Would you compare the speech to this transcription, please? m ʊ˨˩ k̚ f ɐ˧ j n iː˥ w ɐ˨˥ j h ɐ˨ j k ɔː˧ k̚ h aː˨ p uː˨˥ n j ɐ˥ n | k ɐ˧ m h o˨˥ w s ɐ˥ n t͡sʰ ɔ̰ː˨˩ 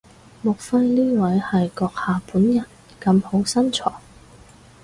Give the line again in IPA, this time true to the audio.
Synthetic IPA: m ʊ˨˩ k̚ f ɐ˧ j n iː˥ w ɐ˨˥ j h ɐ˨ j k ɔː˧ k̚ h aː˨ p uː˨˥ n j ɐ˨˩ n | k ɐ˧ m h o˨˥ w s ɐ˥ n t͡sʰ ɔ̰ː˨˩